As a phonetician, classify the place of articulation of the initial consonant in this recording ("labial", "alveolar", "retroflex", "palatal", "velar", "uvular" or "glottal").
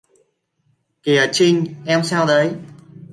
velar